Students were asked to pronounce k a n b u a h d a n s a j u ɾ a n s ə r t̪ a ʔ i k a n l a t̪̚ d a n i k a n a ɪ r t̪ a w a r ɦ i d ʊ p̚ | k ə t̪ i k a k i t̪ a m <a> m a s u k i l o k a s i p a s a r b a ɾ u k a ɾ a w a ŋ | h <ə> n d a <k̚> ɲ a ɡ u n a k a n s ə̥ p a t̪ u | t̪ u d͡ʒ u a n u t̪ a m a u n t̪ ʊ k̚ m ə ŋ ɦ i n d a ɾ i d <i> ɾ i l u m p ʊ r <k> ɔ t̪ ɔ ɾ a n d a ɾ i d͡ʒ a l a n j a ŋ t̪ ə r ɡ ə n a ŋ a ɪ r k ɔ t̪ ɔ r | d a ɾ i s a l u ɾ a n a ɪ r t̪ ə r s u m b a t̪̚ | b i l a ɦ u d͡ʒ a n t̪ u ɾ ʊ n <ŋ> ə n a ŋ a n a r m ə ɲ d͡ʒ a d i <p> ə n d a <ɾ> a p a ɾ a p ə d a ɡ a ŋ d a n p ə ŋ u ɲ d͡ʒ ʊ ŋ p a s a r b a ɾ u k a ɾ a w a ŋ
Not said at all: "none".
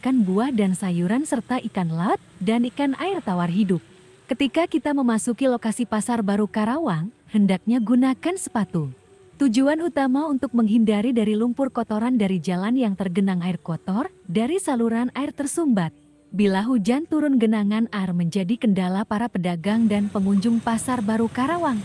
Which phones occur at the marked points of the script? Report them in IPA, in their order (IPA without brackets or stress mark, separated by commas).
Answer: ə, ə, k̚, a, k, ɡ, k, l